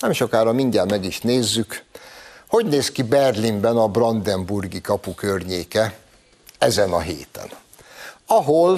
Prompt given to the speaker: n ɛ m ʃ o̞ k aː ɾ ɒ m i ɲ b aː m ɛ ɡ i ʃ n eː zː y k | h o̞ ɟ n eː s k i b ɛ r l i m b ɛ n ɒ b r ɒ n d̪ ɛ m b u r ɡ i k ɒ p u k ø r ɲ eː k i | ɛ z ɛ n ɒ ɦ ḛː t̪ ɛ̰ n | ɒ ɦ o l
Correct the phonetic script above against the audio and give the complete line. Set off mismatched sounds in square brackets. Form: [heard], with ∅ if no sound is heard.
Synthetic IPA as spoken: n ɛ m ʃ o̞ k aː ɾ ɒ m i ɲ [ɟ] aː m ɛ ɡ i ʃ n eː zː y k | h o̞ ɟ n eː s k i b ɛ r l i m b ɛ n ɒ b r ɒ n d̪ ɛ m b u r ɡ i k ɒ p u k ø r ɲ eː k [ɛ] | ɛ z ɛ n ɒ ɦ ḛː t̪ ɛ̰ n | ɒ ɦ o l